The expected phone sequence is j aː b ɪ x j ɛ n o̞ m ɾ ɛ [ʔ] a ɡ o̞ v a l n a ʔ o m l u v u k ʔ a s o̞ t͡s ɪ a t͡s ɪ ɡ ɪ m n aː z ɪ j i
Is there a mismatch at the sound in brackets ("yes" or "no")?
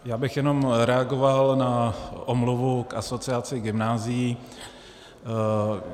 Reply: yes